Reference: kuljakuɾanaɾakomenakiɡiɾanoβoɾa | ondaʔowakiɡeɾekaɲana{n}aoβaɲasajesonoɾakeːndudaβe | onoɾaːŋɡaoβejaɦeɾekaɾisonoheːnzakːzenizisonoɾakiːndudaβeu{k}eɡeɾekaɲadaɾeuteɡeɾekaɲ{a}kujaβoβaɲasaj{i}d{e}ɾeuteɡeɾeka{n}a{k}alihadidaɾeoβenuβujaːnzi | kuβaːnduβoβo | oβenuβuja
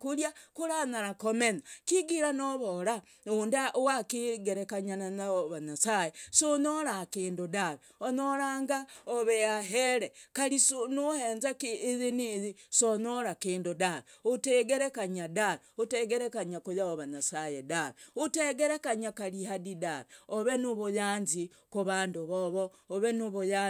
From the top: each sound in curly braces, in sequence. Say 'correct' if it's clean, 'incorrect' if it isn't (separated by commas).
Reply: correct, incorrect, correct, incorrect, incorrect, incorrect, correct